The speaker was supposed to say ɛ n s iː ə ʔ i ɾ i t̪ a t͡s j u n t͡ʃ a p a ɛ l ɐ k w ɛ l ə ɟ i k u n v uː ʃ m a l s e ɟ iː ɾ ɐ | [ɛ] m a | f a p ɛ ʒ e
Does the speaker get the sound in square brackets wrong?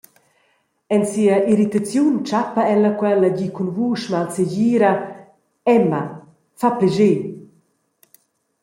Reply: no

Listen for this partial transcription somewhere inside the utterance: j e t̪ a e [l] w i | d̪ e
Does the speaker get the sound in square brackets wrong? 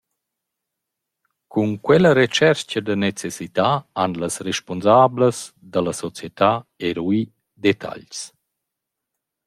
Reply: yes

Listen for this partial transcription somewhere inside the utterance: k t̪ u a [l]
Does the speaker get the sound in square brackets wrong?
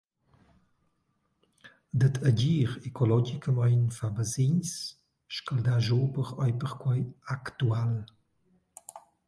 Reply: no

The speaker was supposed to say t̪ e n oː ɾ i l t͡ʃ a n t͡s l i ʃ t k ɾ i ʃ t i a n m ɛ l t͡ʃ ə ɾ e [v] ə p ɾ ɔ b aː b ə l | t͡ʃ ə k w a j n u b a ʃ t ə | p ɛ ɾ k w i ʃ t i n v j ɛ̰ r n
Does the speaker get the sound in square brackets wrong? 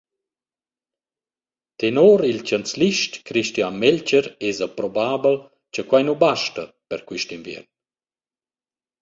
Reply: yes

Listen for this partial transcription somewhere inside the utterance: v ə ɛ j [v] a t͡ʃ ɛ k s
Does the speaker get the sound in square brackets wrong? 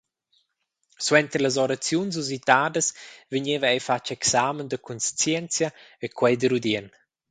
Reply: yes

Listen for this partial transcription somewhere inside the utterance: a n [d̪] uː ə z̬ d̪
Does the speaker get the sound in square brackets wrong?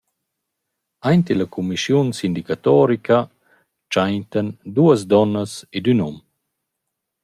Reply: no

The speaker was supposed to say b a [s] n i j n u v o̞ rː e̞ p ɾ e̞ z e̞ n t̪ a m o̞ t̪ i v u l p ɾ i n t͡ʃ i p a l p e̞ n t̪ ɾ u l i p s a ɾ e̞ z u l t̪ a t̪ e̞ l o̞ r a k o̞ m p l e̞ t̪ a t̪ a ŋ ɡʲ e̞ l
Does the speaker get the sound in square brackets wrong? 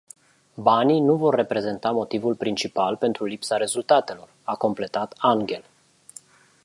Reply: yes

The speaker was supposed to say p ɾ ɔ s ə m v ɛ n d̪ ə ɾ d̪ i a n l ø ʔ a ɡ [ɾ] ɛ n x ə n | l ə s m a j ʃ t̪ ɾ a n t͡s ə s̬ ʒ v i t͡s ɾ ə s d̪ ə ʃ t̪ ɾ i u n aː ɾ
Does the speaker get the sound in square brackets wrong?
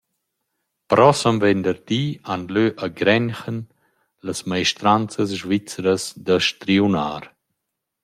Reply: no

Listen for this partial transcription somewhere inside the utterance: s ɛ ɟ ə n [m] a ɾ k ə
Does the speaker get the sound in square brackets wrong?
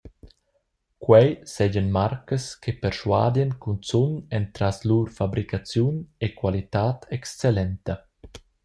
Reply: no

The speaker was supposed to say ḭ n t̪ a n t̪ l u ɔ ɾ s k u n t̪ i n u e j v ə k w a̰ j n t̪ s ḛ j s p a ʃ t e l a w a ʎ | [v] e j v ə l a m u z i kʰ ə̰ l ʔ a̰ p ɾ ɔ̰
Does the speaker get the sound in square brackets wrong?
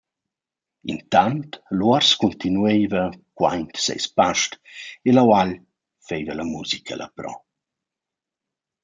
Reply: yes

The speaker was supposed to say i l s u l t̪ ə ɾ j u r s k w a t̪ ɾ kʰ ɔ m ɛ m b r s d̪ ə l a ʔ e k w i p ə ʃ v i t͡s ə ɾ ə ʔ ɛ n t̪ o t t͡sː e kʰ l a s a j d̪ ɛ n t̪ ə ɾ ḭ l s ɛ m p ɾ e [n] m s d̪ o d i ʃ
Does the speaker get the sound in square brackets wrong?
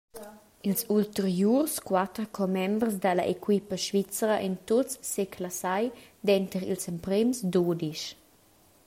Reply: yes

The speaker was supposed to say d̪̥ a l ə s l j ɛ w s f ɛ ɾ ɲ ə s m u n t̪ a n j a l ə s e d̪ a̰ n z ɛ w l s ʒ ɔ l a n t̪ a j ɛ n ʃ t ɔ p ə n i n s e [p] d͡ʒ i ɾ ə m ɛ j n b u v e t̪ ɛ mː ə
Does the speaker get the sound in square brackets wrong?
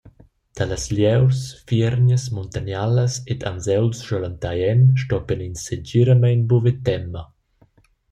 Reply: yes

